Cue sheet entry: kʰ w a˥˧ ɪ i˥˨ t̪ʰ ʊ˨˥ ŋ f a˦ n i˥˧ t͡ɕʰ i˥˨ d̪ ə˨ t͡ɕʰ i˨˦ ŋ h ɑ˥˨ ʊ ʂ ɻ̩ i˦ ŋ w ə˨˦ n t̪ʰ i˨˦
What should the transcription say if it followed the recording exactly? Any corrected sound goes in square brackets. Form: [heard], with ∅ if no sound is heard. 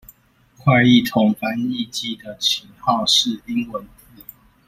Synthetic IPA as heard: kʰ w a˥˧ ɪ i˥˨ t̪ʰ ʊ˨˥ ŋ f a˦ n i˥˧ [t͡ɕ] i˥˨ d̪ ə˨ t͡ɕʰ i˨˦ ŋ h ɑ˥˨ ʊ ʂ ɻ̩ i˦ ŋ w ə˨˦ n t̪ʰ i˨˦